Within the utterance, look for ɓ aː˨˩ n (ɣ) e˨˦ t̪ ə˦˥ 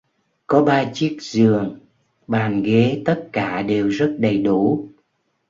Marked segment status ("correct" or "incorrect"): correct